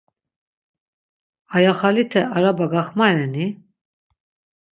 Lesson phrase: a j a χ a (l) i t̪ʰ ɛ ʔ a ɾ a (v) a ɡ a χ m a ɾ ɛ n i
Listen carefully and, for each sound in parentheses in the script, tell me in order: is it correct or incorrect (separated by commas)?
correct, incorrect